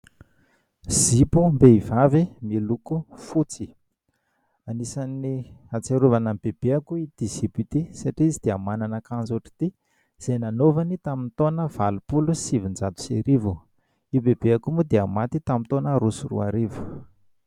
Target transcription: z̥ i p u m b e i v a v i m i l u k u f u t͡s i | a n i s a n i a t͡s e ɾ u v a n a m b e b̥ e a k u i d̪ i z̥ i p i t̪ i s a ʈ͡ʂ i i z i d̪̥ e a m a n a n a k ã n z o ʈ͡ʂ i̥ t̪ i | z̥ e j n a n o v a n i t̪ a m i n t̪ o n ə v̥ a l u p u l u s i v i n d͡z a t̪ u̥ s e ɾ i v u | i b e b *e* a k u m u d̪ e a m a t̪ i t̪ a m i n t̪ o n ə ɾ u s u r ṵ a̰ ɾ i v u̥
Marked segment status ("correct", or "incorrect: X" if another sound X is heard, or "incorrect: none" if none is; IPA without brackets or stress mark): correct